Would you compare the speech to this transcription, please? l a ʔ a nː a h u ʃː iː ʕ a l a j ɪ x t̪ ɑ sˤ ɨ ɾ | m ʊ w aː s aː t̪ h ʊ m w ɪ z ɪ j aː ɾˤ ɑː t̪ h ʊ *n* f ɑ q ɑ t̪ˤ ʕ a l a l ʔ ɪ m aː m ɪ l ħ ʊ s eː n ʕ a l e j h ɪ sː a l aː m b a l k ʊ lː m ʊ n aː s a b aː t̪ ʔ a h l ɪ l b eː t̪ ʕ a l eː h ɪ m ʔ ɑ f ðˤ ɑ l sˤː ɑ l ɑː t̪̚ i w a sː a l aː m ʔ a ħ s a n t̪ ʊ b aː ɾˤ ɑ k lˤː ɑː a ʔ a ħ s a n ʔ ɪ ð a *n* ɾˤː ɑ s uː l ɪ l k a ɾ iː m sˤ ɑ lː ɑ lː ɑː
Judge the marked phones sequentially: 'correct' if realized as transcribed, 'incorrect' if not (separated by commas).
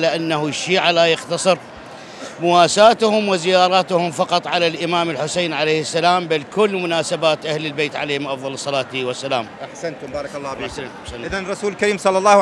incorrect, correct